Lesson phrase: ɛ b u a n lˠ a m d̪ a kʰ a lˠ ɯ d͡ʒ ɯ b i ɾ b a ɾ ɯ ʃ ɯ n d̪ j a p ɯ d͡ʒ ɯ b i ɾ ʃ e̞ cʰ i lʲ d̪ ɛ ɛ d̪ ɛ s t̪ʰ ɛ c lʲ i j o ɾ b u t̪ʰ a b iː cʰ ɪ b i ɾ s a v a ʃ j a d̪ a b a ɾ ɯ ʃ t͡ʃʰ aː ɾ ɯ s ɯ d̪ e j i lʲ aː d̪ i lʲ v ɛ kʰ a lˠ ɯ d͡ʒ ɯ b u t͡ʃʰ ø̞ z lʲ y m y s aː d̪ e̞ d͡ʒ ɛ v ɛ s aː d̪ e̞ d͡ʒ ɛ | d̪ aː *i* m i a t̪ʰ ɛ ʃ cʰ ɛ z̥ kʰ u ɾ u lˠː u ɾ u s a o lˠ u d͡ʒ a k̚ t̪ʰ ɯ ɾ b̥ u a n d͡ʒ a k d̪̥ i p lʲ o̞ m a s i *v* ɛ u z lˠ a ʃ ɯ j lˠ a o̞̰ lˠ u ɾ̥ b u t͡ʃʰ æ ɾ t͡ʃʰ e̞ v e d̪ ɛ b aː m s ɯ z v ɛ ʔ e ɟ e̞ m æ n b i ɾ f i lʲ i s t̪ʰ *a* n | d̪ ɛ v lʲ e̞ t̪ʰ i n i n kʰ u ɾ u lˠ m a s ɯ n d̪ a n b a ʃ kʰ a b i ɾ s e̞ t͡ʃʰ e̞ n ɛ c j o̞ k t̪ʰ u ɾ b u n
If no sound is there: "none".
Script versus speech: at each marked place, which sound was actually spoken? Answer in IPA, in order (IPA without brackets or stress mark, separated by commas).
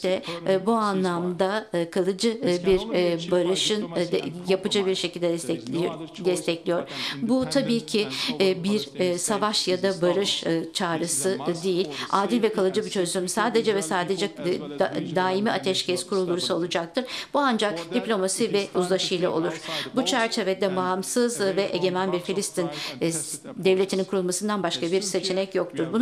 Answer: i, v, i